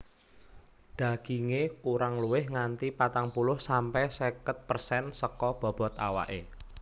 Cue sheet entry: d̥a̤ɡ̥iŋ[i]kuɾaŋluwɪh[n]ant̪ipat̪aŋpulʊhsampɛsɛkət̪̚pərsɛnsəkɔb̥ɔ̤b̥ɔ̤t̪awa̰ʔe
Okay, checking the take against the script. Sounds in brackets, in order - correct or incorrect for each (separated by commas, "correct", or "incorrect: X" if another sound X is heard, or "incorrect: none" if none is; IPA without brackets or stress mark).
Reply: incorrect: e, incorrect: ŋ